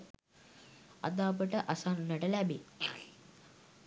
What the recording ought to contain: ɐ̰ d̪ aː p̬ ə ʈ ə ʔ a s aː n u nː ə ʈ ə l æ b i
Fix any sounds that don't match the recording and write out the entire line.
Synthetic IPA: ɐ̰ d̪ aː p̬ ə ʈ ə ʔ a s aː n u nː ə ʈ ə l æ b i